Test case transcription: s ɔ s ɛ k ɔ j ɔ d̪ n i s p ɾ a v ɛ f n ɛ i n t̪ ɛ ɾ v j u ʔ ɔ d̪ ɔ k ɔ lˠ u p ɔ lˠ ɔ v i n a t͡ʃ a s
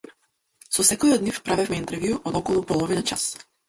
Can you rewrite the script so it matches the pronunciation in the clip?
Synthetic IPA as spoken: s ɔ s ɛ k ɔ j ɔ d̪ n i f p ɾ a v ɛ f m ɛ i n t̪ ɛ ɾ v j u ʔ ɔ d̪ ɔ k ɔ lˠ u p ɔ lˠ ɔ v i n a t͡ʃ a s